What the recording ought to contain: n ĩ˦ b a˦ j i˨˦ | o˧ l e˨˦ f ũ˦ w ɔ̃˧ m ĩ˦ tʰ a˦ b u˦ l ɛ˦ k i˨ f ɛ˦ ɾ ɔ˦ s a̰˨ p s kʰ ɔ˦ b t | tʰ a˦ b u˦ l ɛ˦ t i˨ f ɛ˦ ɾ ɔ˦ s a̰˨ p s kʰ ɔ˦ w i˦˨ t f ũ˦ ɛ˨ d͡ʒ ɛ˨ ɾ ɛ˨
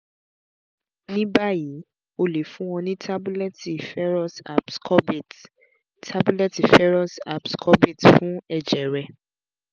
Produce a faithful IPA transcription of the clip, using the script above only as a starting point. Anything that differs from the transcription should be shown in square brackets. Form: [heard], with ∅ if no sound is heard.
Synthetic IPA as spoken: n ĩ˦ b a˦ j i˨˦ | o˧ l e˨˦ f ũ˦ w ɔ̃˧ [n] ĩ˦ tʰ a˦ b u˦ l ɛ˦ [t] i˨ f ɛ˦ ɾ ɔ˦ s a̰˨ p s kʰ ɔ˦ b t | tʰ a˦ b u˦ l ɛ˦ t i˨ f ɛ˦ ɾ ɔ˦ s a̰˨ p s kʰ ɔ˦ [b] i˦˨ t f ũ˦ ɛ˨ d͡ʒ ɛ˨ ɾ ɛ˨